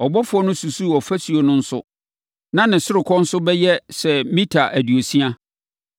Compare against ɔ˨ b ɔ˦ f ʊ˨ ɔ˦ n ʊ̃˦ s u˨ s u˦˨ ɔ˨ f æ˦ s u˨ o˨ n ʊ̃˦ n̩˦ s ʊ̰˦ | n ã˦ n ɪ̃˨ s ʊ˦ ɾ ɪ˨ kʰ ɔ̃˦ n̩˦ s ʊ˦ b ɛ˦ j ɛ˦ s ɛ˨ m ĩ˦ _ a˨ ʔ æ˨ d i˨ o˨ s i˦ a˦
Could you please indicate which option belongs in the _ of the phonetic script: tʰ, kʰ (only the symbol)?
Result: tʰ